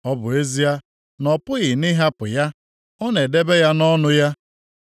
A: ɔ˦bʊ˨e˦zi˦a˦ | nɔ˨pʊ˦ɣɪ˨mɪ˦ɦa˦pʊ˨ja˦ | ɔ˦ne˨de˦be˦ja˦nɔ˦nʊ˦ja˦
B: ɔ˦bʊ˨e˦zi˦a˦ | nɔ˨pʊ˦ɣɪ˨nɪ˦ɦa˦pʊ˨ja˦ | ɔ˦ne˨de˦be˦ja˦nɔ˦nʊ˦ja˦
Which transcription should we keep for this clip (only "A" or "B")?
B